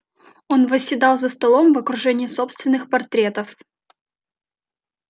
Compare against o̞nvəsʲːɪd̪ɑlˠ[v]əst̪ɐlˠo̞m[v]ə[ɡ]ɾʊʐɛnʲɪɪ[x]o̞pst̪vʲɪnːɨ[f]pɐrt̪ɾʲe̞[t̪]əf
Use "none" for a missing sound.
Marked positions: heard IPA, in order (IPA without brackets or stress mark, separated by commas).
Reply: z, v, k, s, x, t̪